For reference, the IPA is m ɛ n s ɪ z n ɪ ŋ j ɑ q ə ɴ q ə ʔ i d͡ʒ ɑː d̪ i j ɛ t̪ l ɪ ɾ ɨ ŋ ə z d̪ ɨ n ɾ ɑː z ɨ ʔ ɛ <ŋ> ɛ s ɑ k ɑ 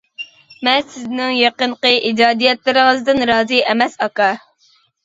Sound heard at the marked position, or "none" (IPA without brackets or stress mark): m